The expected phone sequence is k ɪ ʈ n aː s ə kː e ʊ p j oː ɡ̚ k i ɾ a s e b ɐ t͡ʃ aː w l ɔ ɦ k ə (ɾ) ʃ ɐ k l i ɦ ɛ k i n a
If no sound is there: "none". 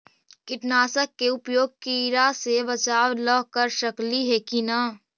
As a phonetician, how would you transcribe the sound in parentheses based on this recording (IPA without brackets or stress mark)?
ɾ